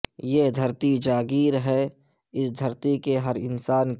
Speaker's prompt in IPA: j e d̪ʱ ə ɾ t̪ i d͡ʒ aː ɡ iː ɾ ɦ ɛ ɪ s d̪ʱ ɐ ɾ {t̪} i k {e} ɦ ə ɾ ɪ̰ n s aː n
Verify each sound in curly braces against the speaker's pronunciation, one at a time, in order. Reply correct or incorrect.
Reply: correct, correct

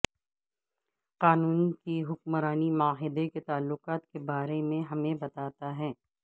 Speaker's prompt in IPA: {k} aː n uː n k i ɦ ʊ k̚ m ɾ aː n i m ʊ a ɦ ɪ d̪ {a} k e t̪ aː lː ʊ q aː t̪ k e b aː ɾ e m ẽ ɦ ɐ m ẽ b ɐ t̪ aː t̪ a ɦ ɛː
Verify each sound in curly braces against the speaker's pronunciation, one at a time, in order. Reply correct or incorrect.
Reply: incorrect, incorrect

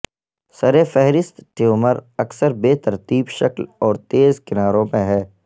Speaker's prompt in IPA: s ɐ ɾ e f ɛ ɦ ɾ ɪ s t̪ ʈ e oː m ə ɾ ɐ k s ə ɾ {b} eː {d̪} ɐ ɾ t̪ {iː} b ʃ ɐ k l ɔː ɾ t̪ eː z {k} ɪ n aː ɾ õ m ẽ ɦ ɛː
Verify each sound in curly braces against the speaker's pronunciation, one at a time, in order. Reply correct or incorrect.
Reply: correct, incorrect, correct, correct

